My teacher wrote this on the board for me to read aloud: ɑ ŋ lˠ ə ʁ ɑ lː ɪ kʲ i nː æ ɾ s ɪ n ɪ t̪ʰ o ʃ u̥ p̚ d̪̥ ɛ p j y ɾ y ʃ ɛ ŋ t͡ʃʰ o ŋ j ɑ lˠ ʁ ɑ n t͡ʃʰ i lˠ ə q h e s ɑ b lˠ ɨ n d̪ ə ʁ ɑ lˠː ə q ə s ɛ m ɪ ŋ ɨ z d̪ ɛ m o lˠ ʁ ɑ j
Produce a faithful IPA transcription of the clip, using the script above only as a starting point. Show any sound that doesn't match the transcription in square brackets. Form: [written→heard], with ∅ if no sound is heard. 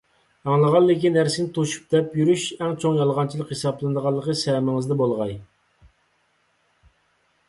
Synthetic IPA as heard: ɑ ŋ lˠ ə ʁ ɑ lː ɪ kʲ i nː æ ɾ s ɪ n ɪ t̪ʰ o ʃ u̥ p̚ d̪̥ ɛ p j y ɾ y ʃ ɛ ŋ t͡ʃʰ o ŋ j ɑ lˠ ʁ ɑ n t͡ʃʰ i lˠ ə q h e s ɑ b lˠ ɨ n d̪ ə ʁ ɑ lˠː ə q ə s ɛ m ɪ ŋ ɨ z d̪ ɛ [m→b] o lˠ ʁ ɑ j

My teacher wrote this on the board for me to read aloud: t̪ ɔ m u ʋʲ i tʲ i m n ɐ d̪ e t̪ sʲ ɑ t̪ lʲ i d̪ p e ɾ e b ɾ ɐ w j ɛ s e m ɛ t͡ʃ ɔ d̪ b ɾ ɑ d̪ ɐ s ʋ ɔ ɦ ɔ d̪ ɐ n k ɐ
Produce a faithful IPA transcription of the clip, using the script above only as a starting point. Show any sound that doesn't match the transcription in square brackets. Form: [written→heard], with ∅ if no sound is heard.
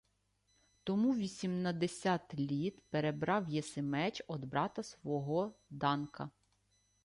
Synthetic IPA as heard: t̪ ɔ m u ʋʲ i [tʲ→sʲ] i m n ɐ d̪ e [t̪→∅] sʲ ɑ t̪ lʲ i [d̪→t̪] p e ɾ e b ɾ [ɐ→ɑ] w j ɛ s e m ɛ t͡ʃ ɔ d̪ b ɾ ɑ [d̪→t̪] ɐ s ʋ ɔ ɦ ɔ d̪ [ɐ→ɑ] n k ɐ

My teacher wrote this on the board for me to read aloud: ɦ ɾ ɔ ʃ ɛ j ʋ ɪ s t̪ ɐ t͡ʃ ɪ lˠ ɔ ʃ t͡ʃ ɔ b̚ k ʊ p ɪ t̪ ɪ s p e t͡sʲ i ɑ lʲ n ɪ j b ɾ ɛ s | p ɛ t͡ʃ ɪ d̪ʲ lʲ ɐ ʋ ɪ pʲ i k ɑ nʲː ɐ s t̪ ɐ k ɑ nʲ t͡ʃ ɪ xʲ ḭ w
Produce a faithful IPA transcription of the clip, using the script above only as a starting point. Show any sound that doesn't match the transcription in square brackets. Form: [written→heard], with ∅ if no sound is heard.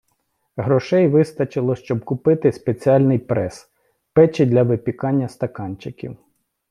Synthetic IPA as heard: ɦ ɾ ɔ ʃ ɛ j ʋ ɪ s t̪ ɐ t͡ʃ ɪ lˠ ɔ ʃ t͡ʃ ɔ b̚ k ʊ p ɪ t̪ ɪ s p e t͡sʲ i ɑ lʲ n ɪ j [b→p] ɾ ɛ s | p ɛ t͡ʃ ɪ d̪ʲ lʲ ɐ ʋ ɪ pʲ i k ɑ nʲː ɐ s t̪ ɐ k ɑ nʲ t͡ʃ ɪ [xʲ→kʲ] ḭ w

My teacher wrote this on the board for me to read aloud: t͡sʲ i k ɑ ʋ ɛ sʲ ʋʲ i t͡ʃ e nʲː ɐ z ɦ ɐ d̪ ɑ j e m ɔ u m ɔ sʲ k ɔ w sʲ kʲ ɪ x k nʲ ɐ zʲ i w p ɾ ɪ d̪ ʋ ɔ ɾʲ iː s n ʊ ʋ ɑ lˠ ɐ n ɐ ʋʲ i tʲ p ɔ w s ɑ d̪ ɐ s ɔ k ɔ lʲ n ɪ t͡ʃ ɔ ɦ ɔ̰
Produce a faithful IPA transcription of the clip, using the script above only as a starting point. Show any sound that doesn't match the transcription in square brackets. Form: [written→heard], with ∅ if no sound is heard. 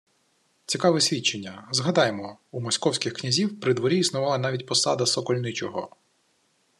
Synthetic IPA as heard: t͡sʲ i k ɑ ʋ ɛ sʲ ʋʲ i t͡ʃ e nʲː ɐ z ɦ ɐ d̪ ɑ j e m ɔ u m ɔ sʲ k ɔ w sʲ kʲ ɪ x k nʲ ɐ zʲ i w p ɾ ɪ d̪ ʋ ɔ ɾʲ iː s n ʊ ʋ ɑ lˠ ɐ n [ɐ→ɑ] ʋʲ i tʲ p ɔ [w→∅] s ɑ d̪ ɐ s ɔ k ɔ lʲ n ɪ t͡ʃ ɔ ɦ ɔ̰

